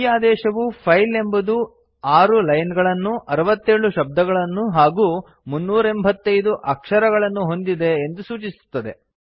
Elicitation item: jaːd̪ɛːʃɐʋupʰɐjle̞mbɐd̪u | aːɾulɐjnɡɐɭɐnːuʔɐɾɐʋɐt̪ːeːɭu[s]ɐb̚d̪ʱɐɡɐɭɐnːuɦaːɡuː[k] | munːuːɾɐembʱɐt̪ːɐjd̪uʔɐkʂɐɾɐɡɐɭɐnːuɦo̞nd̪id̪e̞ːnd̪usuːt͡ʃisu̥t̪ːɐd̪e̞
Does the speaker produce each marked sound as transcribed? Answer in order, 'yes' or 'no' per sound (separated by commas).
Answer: no, no